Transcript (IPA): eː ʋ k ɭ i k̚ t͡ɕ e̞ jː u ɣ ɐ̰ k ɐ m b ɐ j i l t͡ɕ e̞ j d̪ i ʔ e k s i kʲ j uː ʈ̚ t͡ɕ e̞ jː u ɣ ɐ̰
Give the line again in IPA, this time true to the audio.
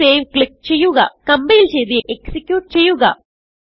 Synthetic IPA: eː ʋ k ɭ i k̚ t͡ɕ e̞ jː u ɣ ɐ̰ k ɐ m b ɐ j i l t͡ɕ e̞ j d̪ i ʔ e k s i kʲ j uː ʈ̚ t͡ɕ e̞ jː u ɣ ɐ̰